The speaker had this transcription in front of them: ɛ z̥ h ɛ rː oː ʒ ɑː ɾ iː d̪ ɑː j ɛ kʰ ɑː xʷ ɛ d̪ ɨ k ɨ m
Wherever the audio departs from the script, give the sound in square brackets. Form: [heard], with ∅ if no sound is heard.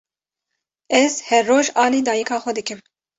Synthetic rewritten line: ɛ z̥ h ɛ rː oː ʒ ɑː [l] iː d̪ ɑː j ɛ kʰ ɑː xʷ ɛ d̪ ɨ k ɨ m